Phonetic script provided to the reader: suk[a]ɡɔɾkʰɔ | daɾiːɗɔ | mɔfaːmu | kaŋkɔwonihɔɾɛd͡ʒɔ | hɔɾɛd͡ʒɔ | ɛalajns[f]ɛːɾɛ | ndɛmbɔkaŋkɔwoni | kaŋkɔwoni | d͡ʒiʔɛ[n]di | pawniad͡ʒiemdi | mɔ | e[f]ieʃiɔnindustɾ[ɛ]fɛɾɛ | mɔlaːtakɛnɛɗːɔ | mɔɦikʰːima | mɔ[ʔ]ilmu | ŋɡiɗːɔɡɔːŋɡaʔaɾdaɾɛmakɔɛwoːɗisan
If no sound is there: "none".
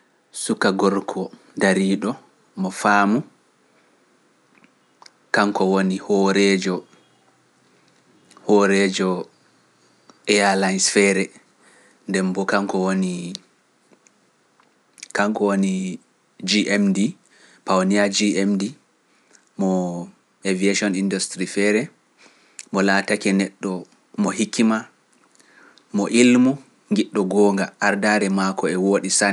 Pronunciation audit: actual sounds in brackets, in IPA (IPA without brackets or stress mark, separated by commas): a, f, m, v, i, ʔ